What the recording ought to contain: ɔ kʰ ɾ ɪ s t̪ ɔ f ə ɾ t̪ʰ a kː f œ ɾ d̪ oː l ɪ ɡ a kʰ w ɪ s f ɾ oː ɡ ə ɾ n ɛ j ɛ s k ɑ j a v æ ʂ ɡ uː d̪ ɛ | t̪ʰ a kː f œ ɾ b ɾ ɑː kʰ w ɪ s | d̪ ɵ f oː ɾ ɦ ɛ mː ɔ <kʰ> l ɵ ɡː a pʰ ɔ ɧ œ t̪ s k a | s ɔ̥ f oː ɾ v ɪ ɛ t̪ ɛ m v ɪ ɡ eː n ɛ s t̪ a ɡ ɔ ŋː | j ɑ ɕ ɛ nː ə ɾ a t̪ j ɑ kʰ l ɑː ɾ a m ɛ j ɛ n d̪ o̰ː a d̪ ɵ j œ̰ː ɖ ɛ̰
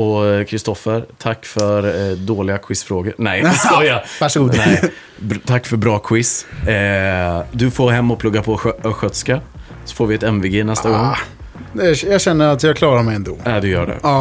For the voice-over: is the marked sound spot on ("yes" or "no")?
no